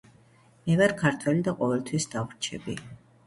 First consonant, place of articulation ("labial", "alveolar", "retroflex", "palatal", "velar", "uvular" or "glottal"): labial